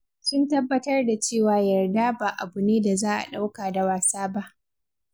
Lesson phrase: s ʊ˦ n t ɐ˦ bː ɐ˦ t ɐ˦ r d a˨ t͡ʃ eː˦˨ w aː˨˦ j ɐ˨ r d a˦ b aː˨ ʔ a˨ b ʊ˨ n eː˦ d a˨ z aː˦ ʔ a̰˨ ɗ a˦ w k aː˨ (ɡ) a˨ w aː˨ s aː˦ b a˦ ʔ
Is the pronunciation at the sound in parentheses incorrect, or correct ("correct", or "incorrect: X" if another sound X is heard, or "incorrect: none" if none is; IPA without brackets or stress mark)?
incorrect: d